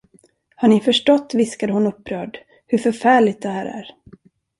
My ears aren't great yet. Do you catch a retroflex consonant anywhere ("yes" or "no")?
yes